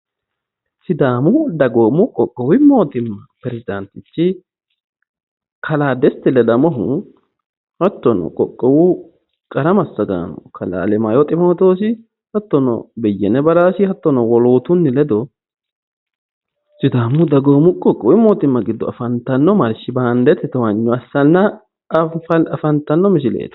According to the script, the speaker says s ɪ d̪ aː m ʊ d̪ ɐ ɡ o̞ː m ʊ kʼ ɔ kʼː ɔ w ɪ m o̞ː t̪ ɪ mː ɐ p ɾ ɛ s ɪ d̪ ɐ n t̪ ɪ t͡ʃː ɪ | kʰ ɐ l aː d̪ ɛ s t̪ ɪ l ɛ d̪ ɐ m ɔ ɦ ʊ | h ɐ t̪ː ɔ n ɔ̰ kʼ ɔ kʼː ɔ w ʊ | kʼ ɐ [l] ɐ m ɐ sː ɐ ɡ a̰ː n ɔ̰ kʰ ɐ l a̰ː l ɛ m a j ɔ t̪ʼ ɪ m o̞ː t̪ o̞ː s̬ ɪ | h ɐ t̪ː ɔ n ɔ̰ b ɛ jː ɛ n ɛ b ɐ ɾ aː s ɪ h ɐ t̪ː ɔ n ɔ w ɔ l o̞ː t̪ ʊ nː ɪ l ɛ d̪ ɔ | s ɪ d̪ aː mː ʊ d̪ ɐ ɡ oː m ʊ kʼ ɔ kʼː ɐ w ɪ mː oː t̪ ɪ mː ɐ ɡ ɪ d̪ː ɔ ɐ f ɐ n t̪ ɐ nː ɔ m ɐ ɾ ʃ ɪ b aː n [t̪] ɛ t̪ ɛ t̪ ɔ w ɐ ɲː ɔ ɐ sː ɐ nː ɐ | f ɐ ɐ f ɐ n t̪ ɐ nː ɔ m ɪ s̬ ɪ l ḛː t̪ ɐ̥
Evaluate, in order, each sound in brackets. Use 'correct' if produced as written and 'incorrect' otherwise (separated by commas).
incorrect, incorrect